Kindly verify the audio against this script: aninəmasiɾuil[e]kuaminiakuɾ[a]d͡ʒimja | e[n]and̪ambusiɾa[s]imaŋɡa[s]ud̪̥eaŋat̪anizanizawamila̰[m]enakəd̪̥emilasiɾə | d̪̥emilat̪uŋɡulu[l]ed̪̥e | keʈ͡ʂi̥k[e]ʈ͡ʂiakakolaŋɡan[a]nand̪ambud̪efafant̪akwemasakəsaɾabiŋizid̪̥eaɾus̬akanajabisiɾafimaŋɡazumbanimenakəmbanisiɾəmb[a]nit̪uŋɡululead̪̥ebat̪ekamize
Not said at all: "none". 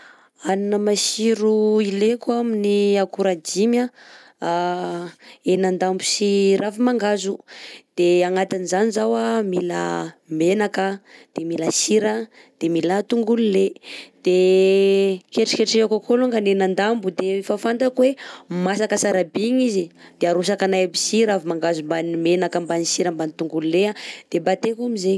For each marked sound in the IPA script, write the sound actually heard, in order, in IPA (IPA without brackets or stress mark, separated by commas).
e, a, n, f, z, m, l, e, e, a